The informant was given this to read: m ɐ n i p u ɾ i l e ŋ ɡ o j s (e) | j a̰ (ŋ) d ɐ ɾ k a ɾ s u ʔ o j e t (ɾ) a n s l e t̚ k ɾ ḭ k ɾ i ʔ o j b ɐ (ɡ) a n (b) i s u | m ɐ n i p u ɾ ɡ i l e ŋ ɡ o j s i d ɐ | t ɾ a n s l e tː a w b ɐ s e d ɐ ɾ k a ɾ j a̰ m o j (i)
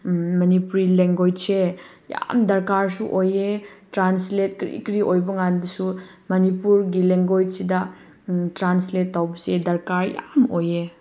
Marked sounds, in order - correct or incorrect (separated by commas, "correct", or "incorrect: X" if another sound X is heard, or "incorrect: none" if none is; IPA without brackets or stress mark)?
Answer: correct, incorrect: m, correct, incorrect: ŋ, incorrect: d, incorrect: e